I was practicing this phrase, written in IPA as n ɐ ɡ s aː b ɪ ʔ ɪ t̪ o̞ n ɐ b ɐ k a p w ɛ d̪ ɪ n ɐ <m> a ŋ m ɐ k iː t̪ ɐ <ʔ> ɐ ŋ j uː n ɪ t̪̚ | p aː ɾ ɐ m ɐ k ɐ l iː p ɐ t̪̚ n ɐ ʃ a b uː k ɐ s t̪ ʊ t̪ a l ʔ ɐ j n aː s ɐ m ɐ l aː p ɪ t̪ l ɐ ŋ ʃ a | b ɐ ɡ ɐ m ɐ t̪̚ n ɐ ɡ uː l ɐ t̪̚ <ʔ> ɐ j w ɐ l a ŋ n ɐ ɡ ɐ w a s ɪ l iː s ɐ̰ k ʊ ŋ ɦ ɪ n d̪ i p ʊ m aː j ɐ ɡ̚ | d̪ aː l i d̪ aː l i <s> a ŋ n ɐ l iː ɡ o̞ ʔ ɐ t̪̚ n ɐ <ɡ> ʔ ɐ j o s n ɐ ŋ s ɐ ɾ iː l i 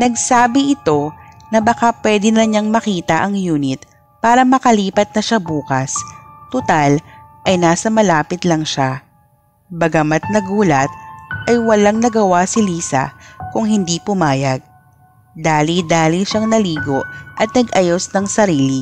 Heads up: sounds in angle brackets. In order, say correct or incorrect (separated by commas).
incorrect, correct, correct, incorrect, correct